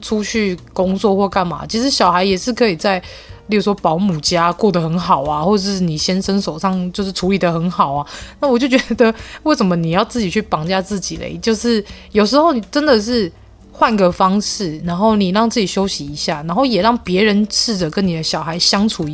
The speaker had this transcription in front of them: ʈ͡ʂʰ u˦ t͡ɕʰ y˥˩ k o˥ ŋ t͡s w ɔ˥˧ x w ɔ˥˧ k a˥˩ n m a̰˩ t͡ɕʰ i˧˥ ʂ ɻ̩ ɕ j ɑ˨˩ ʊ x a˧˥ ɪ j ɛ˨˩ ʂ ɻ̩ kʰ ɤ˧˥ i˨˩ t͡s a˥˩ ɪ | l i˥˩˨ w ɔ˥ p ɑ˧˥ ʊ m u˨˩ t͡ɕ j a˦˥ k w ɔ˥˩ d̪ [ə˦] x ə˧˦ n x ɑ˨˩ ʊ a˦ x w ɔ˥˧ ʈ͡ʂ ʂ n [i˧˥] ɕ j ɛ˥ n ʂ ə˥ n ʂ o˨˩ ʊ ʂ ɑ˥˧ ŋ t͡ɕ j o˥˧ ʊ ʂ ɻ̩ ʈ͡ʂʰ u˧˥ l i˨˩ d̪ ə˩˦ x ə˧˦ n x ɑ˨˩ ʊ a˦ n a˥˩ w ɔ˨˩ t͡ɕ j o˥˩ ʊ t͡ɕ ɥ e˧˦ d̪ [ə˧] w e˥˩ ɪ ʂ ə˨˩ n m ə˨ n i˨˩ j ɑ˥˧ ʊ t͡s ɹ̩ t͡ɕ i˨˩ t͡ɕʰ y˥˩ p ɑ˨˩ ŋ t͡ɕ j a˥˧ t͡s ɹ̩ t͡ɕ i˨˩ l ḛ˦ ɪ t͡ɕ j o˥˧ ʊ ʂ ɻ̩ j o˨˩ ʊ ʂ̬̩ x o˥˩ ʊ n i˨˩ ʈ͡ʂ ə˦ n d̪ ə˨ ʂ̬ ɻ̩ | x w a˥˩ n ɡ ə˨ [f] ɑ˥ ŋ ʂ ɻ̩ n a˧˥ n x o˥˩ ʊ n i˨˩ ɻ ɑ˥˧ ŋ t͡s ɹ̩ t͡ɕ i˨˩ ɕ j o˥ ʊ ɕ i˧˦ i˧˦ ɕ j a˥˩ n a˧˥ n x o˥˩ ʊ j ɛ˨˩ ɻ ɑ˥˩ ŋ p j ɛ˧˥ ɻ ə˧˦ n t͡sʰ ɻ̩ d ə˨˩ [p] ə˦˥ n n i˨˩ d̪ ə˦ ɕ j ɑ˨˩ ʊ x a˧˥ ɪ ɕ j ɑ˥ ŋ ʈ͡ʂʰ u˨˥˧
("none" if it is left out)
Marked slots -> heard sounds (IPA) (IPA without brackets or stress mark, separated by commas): ə˩, i˨˩, ə˧, f, k